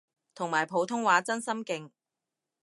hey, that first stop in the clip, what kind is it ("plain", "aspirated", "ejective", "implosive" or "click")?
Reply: aspirated